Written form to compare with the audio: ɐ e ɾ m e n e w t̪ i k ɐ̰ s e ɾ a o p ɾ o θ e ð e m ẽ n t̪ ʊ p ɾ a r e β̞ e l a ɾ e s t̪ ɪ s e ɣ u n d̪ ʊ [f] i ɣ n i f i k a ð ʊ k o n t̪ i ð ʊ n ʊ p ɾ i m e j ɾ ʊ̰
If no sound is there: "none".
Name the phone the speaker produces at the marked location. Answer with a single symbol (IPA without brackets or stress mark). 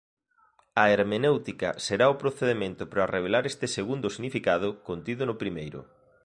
s